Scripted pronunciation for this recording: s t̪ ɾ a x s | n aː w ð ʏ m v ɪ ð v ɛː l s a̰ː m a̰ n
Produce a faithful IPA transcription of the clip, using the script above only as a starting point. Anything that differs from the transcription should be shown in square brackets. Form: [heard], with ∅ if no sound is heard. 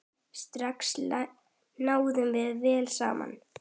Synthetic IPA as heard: s t̪ ɾ a [k] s | n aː w ð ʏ m v ɪ ð v ɛː l s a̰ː m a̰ n